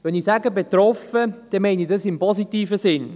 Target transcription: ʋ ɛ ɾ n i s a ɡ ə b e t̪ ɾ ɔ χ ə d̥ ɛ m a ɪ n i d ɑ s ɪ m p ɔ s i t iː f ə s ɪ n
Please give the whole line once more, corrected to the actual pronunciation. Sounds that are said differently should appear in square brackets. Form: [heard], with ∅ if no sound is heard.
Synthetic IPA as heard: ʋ ɛ [∅] n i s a ɡ ə b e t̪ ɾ ɔ [f] ə d̥ ɛ m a ɪ n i d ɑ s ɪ m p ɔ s i t iː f ə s ɪ n